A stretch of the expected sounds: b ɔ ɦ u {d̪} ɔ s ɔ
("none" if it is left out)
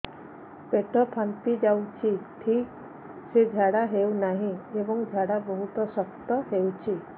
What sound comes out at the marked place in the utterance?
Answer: t̪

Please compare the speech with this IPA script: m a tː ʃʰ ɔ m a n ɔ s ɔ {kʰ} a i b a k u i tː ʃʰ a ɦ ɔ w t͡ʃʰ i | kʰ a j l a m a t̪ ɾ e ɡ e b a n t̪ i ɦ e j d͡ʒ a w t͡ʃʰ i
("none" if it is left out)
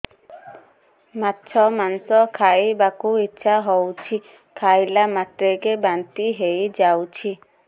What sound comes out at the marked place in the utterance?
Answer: kʰ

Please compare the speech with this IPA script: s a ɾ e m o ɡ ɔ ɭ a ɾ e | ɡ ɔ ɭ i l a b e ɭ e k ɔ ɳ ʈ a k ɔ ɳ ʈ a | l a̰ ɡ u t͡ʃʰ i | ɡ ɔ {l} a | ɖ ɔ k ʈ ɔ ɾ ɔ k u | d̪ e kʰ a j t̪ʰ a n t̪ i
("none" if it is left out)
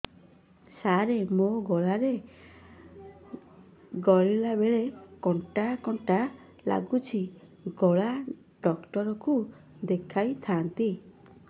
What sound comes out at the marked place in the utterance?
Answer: ɭ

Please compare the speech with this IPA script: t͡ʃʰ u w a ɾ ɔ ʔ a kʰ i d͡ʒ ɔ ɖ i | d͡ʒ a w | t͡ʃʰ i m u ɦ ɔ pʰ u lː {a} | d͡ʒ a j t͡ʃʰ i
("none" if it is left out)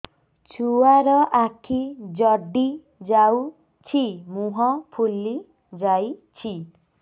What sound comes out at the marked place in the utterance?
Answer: i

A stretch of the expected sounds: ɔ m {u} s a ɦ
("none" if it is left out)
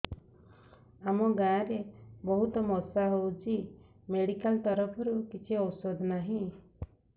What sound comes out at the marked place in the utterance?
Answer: ɔ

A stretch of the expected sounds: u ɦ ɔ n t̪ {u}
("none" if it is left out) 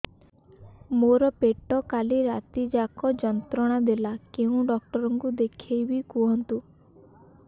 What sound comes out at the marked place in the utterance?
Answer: u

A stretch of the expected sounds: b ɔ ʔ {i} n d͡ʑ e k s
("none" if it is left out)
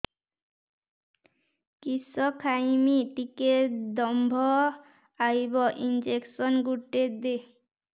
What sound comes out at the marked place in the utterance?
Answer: i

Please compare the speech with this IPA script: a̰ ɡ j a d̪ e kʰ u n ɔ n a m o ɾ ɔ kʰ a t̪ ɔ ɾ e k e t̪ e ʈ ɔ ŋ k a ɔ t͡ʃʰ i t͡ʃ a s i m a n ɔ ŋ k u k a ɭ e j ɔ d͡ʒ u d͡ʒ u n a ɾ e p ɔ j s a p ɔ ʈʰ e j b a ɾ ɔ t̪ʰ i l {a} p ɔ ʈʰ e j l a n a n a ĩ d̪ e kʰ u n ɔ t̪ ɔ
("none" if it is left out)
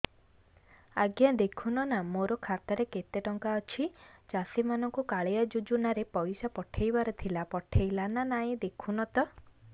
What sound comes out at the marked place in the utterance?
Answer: a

